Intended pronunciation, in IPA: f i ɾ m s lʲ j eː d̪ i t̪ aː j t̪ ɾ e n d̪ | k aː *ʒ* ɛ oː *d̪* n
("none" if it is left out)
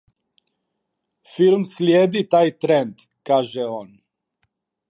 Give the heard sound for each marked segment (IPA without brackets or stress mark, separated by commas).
ʒ, none